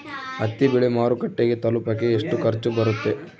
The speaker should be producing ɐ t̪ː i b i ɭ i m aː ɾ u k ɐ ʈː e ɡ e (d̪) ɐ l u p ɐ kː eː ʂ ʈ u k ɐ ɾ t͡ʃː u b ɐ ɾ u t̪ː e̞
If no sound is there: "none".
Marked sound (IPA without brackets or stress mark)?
t̪